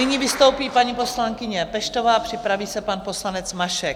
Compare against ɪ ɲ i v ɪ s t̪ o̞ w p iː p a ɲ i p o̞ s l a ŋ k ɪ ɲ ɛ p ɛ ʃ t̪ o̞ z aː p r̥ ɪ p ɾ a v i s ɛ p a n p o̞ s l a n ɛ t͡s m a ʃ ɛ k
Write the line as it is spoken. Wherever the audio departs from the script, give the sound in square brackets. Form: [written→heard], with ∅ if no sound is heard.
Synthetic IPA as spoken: ɪ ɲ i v ɪ s t̪ o̞ w p iː p a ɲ i p o̞ s l a ŋ k ɪ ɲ ɛ p ɛ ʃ t̪ o̞ [z→v] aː p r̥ ɪ p ɾ a v [i→iː] s ɛ p a n p o̞ s l a n ɛ t͡s m a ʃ ɛ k

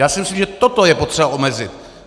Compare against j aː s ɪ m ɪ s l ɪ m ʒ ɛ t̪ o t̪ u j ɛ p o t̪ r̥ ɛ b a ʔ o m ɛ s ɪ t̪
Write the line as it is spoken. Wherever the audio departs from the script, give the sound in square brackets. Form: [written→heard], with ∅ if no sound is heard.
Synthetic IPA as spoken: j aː s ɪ m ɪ s l [ɪ→i] m ʒ ɛ t̪ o t̪ [u→o] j ɛ p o t̪ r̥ ɛ b a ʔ o m ɛ [s→z] ɪ t̪

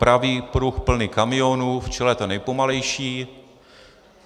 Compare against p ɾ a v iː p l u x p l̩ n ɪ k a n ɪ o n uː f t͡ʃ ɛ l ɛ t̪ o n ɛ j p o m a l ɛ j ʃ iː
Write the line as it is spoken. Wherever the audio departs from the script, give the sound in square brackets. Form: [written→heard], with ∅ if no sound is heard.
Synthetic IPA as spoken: p ɾ a v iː p [l→ɾ] u x p l̩ n ɪ k a [n→m] ɪ o n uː f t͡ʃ ɛ l ɛ t̪ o n ɛ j p o m a l ɛ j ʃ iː

